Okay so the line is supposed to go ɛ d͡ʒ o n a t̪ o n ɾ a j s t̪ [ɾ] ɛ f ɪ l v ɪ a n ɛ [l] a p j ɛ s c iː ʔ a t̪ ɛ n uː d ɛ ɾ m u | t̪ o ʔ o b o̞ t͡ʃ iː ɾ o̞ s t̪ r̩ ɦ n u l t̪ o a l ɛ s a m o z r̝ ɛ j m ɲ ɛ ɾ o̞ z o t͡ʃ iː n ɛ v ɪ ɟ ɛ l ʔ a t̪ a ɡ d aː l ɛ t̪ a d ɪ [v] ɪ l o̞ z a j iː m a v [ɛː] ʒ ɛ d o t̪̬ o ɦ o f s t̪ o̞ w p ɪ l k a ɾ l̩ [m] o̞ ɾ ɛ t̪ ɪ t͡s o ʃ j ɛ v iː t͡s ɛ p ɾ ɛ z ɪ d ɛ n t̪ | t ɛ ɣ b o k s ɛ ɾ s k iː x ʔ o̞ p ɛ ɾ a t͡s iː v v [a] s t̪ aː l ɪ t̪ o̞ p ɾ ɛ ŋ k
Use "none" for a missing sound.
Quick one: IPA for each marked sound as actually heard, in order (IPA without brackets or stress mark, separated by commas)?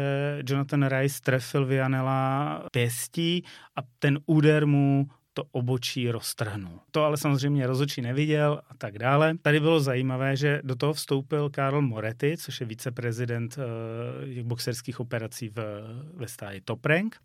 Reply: ɾ, l, b, ɛː, m, ɛ